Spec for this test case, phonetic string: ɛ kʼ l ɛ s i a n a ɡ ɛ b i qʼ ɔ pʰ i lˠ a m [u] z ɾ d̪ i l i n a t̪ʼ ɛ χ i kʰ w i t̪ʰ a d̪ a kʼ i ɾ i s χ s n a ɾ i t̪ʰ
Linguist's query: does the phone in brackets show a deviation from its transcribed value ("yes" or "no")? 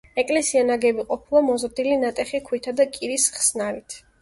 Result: yes